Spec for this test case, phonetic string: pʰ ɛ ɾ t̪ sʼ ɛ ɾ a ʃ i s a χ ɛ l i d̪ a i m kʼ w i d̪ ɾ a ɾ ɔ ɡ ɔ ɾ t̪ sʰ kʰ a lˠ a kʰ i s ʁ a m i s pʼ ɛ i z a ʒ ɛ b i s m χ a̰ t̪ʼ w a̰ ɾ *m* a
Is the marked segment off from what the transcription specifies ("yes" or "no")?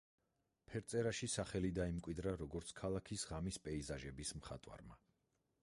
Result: no